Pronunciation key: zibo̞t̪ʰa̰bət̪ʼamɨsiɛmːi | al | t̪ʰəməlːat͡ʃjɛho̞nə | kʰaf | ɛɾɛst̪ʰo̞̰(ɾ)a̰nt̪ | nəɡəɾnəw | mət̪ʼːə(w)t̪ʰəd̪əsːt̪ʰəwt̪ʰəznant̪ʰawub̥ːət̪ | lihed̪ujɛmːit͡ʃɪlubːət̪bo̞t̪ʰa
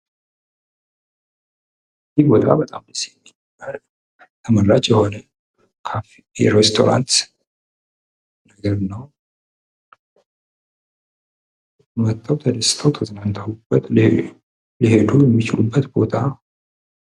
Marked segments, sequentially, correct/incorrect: correct, correct

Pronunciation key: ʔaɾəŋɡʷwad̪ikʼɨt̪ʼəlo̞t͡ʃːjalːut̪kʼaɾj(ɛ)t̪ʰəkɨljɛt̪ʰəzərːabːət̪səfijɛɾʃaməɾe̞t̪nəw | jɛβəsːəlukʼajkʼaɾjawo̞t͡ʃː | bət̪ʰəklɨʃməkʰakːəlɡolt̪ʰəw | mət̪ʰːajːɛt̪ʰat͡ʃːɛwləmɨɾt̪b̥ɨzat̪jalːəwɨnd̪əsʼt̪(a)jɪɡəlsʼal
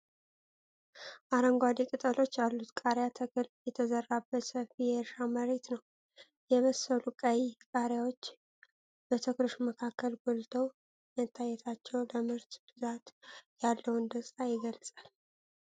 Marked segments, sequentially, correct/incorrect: incorrect: a, correct

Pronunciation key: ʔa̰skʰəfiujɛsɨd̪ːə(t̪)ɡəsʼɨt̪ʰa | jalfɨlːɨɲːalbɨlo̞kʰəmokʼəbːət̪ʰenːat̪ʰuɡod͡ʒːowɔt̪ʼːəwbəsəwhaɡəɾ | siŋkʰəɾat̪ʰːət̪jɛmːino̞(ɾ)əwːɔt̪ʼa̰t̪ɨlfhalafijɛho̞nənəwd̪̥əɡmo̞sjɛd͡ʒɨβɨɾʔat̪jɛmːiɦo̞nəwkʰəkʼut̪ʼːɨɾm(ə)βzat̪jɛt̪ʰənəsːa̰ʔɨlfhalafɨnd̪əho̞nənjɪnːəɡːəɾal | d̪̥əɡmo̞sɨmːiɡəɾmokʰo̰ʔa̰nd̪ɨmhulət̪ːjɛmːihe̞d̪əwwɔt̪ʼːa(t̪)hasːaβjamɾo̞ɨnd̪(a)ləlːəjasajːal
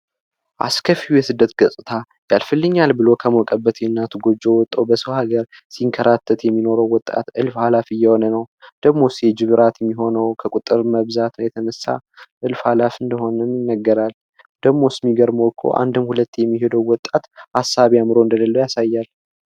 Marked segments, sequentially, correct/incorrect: correct, correct, correct, correct, incorrect: ə

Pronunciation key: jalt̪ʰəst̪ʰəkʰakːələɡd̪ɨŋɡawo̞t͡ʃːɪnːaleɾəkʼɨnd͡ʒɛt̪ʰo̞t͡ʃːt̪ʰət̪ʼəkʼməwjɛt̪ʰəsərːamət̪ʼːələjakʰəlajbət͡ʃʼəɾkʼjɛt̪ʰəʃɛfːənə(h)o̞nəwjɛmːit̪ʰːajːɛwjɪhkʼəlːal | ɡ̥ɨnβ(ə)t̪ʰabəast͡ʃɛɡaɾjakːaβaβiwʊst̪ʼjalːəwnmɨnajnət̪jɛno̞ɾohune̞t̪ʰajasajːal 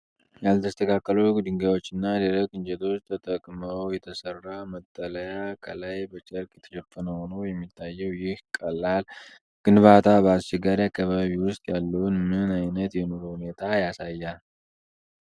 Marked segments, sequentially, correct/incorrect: correct, incorrect: a

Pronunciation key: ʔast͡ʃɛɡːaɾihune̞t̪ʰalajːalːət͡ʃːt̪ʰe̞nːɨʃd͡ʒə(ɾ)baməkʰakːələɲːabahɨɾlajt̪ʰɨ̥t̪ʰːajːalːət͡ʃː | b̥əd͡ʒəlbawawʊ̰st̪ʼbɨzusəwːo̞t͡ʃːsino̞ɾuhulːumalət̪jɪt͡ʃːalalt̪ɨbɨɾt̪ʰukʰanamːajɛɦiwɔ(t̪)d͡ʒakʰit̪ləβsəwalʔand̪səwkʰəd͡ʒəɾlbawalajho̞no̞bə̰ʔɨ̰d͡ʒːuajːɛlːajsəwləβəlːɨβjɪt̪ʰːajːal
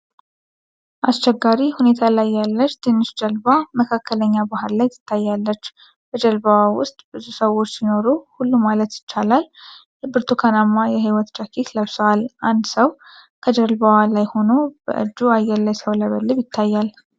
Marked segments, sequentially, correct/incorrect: incorrect: l, correct

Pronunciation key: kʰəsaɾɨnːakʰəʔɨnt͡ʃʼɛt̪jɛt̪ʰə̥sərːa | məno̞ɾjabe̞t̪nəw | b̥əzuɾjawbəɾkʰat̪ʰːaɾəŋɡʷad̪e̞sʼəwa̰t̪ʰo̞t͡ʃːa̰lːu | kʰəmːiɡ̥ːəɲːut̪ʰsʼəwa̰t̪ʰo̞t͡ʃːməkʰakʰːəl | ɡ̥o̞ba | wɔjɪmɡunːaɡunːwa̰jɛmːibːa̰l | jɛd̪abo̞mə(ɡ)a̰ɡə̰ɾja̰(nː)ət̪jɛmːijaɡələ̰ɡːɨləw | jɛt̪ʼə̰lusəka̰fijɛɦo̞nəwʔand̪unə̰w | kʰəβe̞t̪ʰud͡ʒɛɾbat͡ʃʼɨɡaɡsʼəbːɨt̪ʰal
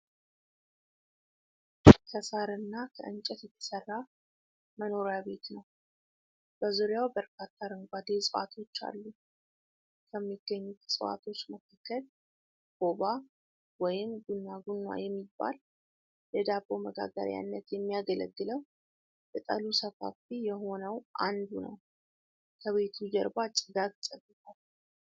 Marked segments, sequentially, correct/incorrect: correct, correct

